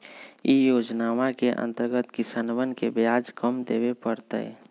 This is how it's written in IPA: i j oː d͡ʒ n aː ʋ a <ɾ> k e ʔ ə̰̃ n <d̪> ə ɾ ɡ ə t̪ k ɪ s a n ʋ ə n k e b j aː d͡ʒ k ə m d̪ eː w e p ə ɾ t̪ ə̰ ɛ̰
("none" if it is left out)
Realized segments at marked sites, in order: none, t̪

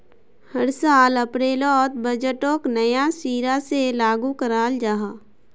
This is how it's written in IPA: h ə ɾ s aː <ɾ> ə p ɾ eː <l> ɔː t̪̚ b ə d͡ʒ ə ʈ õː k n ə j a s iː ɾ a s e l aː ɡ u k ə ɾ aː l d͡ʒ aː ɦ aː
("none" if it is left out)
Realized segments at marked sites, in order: l, l

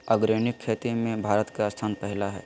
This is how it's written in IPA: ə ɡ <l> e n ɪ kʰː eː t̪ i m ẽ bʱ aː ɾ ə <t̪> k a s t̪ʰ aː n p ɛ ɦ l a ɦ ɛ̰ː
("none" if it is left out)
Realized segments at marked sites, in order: ɾ, t̪

